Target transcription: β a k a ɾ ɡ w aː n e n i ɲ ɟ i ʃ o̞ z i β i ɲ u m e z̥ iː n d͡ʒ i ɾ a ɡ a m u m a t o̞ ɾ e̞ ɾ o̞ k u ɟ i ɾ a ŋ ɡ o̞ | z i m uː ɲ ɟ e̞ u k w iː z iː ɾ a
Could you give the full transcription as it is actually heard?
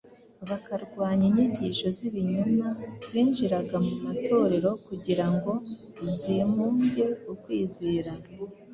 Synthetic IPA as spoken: β a k a ɾ ɡ w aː ɲ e ɲ i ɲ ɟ i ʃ o̞ z i β i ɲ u m a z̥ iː n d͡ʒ i ɾ a ɡ a m u m a t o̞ ɾ e̞ ɾ o̞ k u ɟ i ɾ a ŋ ɡ o̞ | z i m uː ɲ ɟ e̞ u k w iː z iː ɾ a